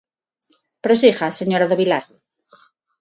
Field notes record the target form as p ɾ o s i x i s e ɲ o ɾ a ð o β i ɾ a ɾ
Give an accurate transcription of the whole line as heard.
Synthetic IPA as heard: p ɾ o s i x a s e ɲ o ɾ a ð o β i l a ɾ

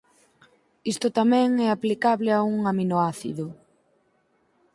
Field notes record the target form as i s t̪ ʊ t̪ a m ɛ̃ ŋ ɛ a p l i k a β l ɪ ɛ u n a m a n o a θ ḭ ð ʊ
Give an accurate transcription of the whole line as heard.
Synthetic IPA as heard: i s t̪ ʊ t̪ a m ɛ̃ ŋ ɛ a p l i k a β l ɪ a u ŋ a m i n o a θ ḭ ð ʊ

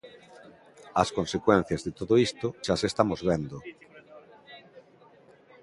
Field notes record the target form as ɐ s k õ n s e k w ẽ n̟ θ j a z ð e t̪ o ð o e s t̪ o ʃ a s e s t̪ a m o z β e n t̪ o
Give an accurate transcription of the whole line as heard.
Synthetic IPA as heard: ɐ s k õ n s e k w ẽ n̟ θ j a z ð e t̪ o ð o i s t̪ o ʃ a s e s t̪ a m o z β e n d̪ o

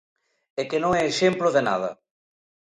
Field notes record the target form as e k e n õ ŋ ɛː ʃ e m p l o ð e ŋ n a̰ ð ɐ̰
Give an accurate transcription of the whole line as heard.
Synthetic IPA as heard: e k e n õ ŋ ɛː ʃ e m p l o ð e n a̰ ð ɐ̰

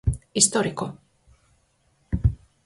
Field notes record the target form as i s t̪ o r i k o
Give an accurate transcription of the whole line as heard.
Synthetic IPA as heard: i s t̪ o ɾ i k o

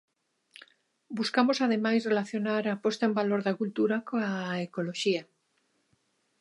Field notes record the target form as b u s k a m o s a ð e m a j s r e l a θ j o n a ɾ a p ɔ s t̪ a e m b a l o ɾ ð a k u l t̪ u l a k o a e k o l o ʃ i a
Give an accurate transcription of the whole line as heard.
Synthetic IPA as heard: b u s k a m o s a ð e m a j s r e l a θ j o n a ɾ a p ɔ s t̪ a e m b a l o ɾ ð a k u l t̪ u ɾ a k o a e k o l o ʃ i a

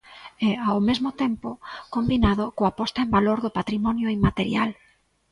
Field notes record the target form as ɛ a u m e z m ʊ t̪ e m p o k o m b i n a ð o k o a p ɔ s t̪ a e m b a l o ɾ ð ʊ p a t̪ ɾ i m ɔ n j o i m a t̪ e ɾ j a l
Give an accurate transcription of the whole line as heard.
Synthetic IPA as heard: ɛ a w m e z m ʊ t̪ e m p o k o m b i n a ð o k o a p ɔ s t̪ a e m b a l o ɾ ð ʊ p a t̪ ɾ i m ɔ n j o i m a t̪ e ɾ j a l

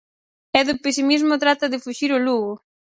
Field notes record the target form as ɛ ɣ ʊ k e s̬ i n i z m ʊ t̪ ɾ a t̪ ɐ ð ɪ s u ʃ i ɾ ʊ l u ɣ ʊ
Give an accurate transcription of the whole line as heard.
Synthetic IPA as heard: ɛ ð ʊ p e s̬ i m i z m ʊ t̪ ɾ a t̪ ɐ ð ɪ f u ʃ i ɾ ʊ l u ɣ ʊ

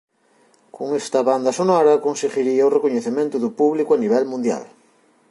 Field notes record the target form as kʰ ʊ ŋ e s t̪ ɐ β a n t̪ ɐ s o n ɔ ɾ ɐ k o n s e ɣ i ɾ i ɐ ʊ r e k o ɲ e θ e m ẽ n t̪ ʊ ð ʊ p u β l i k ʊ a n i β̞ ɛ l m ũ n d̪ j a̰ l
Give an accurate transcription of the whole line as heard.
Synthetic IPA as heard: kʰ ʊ ŋ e s t̪ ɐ β a n d̪ ɐ s o n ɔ ɾ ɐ k o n s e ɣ i ɾ i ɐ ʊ r e k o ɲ e θ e m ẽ n t̪ ʊ ð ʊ p u β l i k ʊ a n i β̞ ɛ l m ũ n d̪ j a̰ l

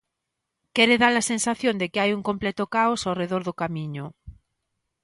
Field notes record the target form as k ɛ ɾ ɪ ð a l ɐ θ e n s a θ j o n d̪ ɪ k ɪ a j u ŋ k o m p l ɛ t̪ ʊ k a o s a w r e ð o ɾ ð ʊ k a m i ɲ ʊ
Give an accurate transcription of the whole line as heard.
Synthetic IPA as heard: k ɛ ɾ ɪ ð a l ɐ s e n s a θ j o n d̪ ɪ k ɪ a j u ŋ k o m p l ɛ t̪ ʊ k a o s a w r e ð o ɾ ð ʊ k a m i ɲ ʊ

